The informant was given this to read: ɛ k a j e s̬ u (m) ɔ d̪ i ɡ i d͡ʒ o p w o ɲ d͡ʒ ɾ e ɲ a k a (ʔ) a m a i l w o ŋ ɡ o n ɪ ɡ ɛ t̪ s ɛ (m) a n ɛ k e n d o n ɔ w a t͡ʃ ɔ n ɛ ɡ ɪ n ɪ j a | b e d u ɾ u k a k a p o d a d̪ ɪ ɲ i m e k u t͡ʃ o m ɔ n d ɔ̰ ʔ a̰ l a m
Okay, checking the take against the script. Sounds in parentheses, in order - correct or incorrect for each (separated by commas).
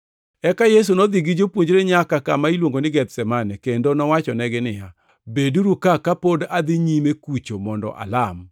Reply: incorrect, incorrect, correct